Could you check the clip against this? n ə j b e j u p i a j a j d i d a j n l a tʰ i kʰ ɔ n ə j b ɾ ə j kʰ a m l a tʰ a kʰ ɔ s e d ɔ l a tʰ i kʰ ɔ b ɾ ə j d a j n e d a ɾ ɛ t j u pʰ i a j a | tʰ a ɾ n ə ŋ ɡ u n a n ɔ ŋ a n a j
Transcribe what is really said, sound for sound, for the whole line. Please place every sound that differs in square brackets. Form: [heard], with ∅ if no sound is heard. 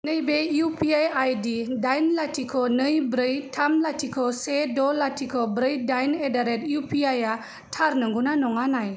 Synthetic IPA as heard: n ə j b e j u p i a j a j d i d a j n l a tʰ i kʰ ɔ n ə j b ɾ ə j [tʰ] a m l a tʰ [i] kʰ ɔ s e d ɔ l a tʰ i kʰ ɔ b ɾ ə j d a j n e d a ɾ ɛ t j u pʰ i a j a | tʰ a ɾ n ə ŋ ɡ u n a n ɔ ŋ a n a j